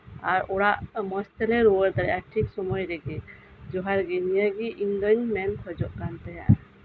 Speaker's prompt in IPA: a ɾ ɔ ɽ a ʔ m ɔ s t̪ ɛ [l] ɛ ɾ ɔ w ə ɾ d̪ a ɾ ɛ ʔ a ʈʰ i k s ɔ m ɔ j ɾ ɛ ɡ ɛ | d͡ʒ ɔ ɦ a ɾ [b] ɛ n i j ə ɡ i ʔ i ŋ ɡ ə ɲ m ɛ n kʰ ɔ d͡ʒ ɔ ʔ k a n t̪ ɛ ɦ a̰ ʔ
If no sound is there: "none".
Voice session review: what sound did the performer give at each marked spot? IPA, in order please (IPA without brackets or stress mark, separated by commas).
l, ɡ